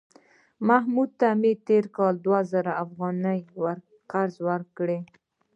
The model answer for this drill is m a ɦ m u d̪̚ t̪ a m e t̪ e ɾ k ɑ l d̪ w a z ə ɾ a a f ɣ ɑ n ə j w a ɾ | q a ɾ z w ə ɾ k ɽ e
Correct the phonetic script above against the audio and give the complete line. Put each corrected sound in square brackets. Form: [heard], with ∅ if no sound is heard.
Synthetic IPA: m a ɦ m u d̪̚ t̪ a m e t̪ e ɾ k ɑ l d̪ w a z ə ɾ a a f ɣ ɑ n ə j w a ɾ | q a ɾ z w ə ɾ k ɽ e